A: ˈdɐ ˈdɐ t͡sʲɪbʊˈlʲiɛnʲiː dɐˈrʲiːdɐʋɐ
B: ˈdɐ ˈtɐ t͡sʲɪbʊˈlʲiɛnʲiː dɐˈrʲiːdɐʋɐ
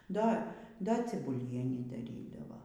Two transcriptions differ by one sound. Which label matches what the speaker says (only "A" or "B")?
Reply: A